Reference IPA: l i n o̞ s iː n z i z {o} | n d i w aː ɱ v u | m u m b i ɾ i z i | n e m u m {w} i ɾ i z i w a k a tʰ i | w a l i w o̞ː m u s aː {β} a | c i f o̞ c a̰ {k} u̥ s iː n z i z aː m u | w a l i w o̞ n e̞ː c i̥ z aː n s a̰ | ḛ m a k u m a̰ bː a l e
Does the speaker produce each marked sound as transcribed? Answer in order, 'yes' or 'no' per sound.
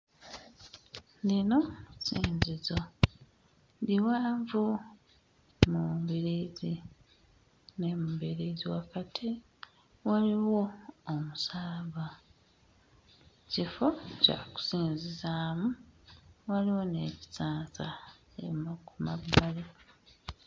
yes, no, yes, yes

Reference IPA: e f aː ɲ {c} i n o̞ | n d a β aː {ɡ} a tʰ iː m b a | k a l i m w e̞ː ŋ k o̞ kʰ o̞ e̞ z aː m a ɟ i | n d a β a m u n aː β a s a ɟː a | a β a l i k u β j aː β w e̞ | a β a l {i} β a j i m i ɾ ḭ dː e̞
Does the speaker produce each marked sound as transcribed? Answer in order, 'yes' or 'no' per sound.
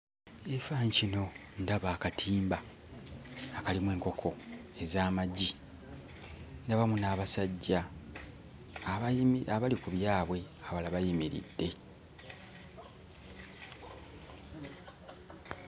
yes, no, no

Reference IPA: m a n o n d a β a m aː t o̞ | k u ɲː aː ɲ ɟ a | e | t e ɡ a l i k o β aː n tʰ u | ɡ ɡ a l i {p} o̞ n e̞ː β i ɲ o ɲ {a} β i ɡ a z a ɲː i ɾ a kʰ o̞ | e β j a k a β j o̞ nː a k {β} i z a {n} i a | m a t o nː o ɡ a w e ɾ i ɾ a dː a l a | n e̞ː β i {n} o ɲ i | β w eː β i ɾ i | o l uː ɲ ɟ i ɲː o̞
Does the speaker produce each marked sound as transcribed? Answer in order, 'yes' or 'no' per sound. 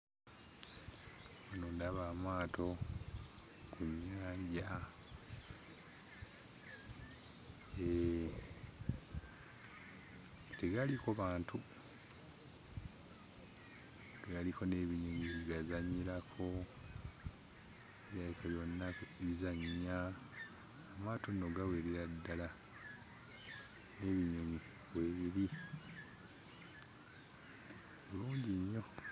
no, no, yes, no, no

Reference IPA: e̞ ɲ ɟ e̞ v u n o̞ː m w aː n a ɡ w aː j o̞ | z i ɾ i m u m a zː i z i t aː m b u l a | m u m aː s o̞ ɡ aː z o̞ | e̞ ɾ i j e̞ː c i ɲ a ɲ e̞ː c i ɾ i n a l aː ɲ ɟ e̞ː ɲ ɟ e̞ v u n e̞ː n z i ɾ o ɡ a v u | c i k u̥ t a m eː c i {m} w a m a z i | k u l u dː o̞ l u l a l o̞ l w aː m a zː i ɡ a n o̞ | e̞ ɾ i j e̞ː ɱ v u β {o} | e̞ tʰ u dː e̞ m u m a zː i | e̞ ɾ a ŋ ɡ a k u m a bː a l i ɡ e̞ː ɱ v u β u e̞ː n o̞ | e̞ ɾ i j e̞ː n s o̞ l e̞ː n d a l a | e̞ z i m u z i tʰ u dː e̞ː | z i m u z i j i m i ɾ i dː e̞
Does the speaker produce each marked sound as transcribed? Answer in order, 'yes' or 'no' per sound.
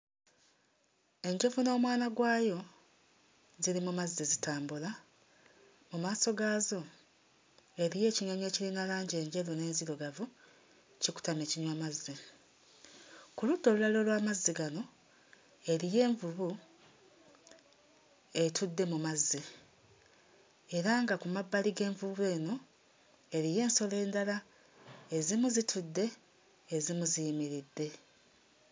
no, no

